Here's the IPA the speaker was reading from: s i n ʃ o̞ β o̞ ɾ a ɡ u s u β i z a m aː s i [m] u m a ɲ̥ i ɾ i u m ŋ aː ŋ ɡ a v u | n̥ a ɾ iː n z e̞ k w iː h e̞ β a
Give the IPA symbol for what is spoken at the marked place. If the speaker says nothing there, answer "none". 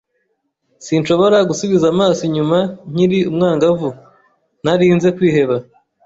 ɲ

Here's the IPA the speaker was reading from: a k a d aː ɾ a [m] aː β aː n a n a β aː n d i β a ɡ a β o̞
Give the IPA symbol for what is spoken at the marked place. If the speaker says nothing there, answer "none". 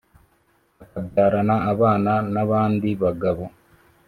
n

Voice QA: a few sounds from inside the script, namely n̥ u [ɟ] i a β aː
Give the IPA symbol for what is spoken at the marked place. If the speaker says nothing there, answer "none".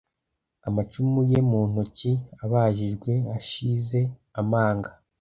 c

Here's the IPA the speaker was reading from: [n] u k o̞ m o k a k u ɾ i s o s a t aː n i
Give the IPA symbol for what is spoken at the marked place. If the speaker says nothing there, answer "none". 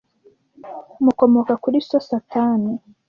m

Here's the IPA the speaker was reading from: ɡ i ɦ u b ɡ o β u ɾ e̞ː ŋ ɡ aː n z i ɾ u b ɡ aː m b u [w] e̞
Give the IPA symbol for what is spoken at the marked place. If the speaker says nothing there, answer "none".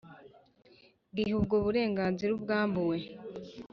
w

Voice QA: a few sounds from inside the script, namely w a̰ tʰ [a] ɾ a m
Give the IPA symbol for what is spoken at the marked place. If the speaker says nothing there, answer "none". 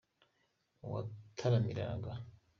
a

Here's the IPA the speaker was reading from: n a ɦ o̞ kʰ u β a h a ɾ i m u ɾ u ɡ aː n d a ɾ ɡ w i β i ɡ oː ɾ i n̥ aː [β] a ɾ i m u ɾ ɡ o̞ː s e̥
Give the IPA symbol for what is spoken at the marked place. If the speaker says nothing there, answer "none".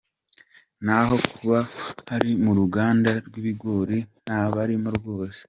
β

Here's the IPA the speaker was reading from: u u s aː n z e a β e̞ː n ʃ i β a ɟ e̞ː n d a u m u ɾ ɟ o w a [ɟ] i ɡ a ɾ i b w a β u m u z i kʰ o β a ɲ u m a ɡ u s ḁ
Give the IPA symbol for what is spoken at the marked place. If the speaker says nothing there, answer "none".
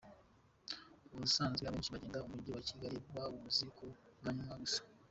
c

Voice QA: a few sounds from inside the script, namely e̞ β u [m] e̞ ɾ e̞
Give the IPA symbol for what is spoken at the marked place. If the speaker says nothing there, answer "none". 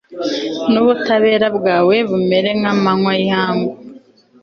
m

